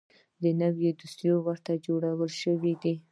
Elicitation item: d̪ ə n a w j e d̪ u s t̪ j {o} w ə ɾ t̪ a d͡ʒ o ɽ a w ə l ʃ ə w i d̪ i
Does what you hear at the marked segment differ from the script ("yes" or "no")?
no